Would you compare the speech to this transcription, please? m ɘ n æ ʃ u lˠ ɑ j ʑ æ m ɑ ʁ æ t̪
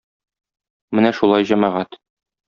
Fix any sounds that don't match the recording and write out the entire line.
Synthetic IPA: m ɘ n æ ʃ u lˠ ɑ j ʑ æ m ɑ ʁ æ t̪